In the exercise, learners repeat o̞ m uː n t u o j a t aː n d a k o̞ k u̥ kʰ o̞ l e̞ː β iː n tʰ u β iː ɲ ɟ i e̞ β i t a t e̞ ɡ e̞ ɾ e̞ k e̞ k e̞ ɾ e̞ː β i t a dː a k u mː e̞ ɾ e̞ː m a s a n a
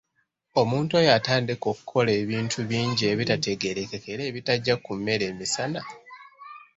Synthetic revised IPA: o̞ m uː n t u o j a t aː n d i k o̞ k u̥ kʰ o̞ l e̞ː β iː n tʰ u β iː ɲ ɟ i e̞ β i t a t e̞ ɡ e̞ ɾ e̞ k e̞ k e̞ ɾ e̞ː β i t a ɟː a k u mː e̞ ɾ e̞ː m i s a n a